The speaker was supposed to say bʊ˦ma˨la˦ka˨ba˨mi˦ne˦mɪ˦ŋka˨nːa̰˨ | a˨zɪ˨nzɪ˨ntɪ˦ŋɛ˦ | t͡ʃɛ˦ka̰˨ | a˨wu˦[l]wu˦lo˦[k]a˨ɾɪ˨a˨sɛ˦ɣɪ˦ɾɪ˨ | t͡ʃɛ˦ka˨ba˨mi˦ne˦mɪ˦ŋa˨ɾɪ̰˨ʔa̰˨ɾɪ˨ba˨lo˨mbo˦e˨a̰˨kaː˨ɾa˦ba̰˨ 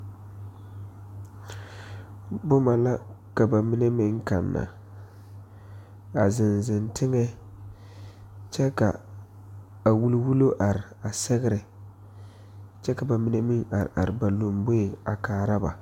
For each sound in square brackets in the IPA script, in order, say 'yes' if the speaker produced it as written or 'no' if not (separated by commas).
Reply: yes, no